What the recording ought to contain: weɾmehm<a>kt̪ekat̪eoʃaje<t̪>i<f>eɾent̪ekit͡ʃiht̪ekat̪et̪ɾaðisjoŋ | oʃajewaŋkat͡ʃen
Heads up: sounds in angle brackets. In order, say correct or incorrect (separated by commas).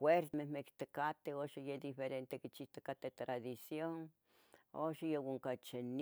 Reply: incorrect, incorrect, correct